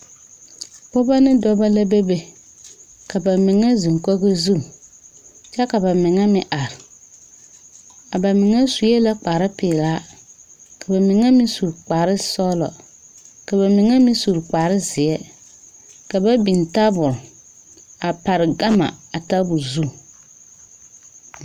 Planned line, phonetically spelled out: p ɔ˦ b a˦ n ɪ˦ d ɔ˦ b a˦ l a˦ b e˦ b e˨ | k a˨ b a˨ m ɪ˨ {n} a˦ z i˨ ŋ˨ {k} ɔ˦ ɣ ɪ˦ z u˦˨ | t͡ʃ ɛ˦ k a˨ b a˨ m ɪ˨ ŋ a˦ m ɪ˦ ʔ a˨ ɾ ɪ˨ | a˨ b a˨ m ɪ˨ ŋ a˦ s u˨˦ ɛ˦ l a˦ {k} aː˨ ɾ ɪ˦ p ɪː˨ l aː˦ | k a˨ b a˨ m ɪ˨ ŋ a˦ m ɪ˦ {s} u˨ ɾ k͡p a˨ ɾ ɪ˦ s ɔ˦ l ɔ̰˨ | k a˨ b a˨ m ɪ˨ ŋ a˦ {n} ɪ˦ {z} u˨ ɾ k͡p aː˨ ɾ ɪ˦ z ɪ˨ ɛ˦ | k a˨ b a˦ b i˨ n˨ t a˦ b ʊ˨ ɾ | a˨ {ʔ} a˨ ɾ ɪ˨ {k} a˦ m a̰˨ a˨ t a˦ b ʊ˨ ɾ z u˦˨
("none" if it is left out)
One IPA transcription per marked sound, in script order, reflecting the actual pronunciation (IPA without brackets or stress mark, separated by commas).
ŋ, k, k͡p, s, m, s, p, ɡ